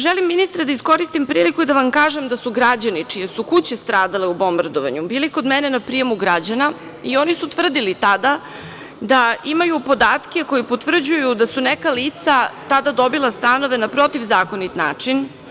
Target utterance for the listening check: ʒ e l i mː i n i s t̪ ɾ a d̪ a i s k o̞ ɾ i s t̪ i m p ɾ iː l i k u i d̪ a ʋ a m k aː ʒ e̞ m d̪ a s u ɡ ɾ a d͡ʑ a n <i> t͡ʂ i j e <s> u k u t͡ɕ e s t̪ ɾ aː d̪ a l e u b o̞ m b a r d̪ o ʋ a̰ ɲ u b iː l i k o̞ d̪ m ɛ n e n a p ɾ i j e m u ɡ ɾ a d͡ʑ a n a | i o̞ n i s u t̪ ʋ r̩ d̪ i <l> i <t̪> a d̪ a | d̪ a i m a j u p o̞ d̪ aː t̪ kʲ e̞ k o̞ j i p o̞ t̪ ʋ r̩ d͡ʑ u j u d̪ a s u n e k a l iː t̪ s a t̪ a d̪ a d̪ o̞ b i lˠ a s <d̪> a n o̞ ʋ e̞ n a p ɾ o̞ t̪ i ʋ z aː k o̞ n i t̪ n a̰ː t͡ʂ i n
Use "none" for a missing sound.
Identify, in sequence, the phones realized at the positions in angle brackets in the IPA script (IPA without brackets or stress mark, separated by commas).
i, s, l, t̪, t̪